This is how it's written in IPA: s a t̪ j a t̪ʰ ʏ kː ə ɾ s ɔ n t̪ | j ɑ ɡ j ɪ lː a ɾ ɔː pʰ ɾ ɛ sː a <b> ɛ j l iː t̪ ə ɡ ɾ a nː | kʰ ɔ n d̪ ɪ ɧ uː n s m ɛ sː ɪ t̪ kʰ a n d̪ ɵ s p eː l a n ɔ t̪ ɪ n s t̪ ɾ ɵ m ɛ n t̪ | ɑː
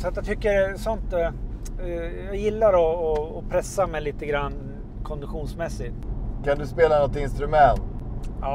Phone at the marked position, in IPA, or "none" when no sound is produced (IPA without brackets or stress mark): m